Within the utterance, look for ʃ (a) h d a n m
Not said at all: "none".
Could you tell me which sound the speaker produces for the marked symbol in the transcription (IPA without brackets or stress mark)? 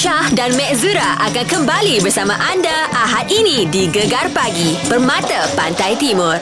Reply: a